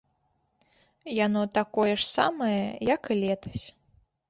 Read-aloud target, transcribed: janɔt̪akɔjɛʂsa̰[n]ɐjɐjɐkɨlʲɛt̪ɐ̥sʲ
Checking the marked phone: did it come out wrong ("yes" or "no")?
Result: yes